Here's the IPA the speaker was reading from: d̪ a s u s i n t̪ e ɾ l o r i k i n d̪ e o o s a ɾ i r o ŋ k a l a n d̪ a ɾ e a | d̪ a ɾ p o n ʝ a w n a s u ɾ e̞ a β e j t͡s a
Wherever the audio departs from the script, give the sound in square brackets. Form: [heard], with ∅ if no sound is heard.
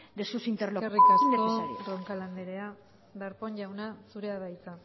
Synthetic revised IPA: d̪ [e] s u s i n t̪ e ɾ l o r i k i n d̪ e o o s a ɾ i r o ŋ k a l a n d̪ [e] ɾ e a | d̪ a ɾ p o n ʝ a w n a s u ɾ e̞ a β [a] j t͡s a